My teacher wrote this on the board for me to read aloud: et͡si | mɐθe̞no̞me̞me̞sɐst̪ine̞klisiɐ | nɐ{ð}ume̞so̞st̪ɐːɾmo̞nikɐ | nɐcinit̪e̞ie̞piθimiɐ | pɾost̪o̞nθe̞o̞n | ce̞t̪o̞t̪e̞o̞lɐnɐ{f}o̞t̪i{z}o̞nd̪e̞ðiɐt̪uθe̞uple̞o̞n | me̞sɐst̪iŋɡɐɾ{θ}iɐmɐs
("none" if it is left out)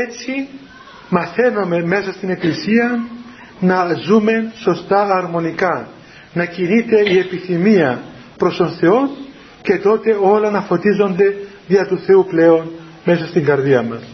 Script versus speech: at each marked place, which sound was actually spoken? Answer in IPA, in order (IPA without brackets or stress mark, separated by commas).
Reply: z, f, z, ð